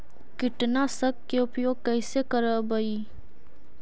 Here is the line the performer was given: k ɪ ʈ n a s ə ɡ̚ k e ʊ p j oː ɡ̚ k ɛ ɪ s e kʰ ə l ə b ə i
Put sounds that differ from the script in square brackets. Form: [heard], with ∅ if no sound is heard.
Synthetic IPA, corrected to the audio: k ɪ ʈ n a s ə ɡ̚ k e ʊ p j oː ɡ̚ k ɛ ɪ s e [k] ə [ɾ] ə b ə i